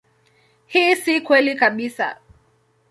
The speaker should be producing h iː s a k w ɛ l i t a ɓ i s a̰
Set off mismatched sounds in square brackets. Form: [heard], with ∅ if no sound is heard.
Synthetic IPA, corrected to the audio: h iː s [i] k w ɛ l i [k] a ɓ i s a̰